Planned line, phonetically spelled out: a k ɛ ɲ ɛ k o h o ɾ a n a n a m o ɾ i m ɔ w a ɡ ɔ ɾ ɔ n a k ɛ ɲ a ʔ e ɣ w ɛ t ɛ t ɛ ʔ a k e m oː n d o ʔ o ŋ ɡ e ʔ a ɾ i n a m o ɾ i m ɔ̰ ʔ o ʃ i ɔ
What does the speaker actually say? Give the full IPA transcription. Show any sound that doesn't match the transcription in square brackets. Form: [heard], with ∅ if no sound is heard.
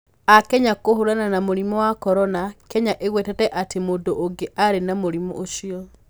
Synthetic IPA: a k ɛ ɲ [a] k o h o ɾ a n a n a m o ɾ i m ɔ w a [k] ɔ ɾ ɔ n a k ɛ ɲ a ʔ e ɣ w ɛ t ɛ t ɛ ʔ a [t] e m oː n d o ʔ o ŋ ɡ e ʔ a ɾ [e] n a m o ɾ i m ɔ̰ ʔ o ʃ i ɔ